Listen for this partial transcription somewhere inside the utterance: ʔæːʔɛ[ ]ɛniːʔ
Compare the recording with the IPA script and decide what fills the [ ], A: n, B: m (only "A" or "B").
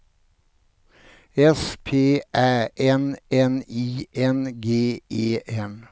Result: A